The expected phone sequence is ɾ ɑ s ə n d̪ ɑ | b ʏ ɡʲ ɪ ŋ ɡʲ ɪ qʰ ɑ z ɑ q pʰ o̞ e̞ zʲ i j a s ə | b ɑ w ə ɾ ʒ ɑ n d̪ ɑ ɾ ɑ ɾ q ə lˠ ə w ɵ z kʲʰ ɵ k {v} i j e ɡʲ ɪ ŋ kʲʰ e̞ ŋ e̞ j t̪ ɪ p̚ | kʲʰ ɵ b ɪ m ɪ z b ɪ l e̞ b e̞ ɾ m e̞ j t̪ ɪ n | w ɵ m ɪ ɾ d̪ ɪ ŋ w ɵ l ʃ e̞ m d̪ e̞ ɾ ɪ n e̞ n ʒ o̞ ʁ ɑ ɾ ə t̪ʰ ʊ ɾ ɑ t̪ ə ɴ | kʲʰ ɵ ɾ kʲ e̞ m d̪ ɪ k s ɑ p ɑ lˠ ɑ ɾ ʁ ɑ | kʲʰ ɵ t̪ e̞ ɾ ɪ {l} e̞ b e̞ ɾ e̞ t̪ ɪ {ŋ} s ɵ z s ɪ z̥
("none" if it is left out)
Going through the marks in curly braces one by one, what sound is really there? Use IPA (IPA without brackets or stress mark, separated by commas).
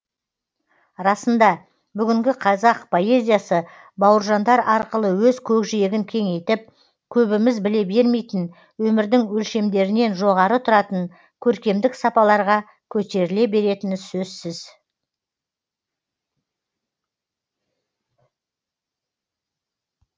ʒ, l, n